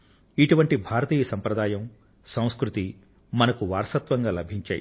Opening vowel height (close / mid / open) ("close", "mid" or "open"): close